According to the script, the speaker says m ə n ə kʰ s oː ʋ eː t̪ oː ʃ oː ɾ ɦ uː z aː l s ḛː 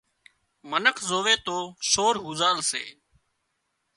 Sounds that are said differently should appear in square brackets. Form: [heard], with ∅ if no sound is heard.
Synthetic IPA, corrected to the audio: m ə n ə kʰ [z] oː ʋ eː t̪ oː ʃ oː ɾ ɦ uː z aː l s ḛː